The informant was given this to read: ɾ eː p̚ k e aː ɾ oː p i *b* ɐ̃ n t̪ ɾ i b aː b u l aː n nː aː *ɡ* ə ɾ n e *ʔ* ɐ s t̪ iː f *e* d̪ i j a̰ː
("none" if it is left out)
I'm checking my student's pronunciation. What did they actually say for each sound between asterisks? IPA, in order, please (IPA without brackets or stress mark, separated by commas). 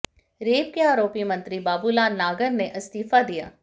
m, ɡ, ʔ, a